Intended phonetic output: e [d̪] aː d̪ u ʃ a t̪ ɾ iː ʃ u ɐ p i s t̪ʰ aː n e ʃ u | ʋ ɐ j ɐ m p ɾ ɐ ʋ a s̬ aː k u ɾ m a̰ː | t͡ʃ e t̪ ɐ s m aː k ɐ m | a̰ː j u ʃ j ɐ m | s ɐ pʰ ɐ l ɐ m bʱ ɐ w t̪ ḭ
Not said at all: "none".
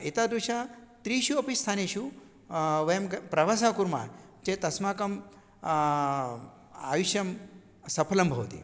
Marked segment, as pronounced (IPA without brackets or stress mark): t̪